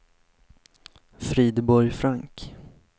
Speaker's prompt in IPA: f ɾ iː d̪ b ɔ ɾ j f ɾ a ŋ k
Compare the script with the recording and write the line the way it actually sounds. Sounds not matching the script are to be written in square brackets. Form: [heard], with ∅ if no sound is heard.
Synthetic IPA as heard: f ɾ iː d̪ b ɔ ɾ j f ɾ a ŋ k